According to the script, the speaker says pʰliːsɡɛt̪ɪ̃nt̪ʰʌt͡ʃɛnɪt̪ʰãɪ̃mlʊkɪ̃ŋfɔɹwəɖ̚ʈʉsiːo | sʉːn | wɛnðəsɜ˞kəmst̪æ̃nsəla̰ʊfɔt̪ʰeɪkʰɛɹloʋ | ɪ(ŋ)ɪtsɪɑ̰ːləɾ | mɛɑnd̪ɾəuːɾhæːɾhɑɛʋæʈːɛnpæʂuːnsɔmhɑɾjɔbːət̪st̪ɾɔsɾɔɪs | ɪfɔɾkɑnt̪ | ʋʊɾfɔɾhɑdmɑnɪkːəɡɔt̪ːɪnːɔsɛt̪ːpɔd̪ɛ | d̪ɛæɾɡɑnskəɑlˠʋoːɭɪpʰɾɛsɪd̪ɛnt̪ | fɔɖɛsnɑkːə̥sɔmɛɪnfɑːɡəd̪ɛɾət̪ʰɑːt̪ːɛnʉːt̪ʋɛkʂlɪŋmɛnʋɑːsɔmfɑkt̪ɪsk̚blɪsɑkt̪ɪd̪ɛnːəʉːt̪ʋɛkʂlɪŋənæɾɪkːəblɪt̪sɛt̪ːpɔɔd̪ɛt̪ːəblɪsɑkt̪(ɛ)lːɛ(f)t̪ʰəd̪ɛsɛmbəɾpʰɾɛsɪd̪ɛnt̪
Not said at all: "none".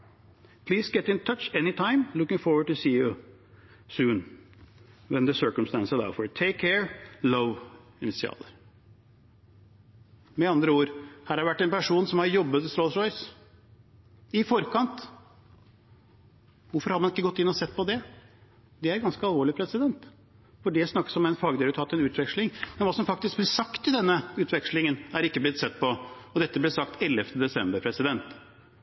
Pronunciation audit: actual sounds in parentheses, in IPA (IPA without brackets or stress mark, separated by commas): n, ɛ, f